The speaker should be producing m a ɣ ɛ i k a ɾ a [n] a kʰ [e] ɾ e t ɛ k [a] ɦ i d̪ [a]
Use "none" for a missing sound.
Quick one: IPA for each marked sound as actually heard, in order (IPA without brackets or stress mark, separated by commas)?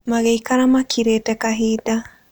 m, i, a, a